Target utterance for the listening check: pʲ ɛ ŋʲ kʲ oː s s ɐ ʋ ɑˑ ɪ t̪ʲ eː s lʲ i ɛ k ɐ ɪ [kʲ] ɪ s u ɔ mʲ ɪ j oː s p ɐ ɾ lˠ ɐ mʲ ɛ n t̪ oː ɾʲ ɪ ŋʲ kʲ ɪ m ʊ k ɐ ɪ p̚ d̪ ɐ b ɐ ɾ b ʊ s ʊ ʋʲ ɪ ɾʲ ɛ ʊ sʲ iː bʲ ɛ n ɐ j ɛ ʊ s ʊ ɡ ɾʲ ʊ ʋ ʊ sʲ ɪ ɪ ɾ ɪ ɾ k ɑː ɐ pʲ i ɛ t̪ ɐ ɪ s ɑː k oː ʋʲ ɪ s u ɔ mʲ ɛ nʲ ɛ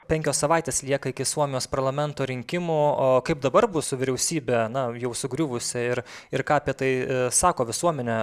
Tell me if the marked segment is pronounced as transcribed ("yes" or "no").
yes